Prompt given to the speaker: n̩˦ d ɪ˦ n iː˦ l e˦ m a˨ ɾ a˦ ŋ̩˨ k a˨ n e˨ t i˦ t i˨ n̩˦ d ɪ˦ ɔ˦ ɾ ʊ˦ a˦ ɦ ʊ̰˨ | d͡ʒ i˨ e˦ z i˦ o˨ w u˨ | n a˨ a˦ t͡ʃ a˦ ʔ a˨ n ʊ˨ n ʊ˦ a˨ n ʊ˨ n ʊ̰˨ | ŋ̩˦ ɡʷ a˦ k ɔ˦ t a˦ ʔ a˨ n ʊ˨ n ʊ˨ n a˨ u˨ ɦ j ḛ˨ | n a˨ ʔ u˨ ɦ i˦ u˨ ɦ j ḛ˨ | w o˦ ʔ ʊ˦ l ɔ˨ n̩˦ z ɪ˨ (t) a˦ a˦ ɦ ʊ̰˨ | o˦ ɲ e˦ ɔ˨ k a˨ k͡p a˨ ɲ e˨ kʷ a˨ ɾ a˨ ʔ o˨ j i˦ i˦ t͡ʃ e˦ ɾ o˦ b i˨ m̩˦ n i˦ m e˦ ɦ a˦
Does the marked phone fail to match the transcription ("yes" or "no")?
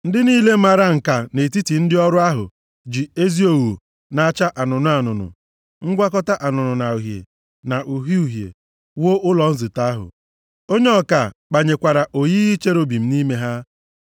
no